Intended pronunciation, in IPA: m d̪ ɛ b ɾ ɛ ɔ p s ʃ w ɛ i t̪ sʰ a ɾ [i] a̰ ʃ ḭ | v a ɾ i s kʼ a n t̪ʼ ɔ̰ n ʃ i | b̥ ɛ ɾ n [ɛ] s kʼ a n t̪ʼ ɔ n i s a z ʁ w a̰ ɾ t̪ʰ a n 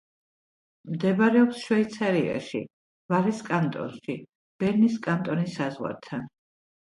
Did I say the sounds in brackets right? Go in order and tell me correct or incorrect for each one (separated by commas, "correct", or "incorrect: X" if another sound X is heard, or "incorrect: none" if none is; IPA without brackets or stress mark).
correct, incorrect: i